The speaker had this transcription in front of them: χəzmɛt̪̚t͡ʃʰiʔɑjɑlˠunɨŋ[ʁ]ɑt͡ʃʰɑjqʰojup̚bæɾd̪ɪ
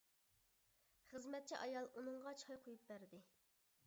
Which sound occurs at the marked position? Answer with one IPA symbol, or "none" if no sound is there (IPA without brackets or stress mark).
ʁ